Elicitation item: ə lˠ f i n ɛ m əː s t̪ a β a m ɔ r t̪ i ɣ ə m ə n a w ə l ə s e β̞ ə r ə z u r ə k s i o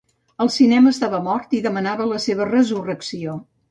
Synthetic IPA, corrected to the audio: ə lˠ s i n ɛ m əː s t̪ a β ə m ɔ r t̪ i ð ə m ə n a β ə l ə s e β̞ ə r ə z u r ə k s i o